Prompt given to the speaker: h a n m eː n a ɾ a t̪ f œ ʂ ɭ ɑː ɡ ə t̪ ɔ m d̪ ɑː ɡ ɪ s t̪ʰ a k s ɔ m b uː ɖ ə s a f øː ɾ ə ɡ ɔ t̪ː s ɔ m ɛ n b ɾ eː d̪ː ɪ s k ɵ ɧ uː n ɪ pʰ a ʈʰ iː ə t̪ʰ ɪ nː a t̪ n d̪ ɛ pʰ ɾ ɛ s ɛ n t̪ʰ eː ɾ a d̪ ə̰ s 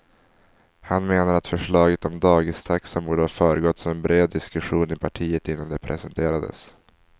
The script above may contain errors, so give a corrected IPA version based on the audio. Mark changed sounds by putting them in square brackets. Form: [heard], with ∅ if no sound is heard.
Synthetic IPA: h a n m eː n a ɾ a t̪ f œ ʂ ɭ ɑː ɡ ə t̪ ɔ m d̪ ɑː ɡ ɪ s t̪ʰ a k s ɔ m b uː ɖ ə [h] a f [œː] ɾ ə ɡ ɔ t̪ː s ɔ m ɛ n b ɾ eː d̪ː ɪ s k ɵ ɧ uː n ɪ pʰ a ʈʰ iː ə [t̪] ɪ nː a [∅] n d̪ ɛ pʰ ɾ ɛ s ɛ n t̪ʰ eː ɾ a d̪ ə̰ s